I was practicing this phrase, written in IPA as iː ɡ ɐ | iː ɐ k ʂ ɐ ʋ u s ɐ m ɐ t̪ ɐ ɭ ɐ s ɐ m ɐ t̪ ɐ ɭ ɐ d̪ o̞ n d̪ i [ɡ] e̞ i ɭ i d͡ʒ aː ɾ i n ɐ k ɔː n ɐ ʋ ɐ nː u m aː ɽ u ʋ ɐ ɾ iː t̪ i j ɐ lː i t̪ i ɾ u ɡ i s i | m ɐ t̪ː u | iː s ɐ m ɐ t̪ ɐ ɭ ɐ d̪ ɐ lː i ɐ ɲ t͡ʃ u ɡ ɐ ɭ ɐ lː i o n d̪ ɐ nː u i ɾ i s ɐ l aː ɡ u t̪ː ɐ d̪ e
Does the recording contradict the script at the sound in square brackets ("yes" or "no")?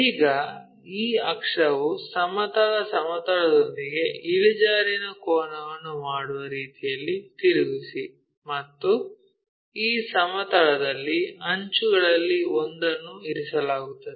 no